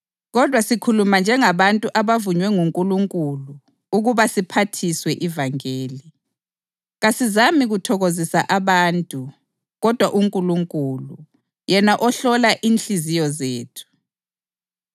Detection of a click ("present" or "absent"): absent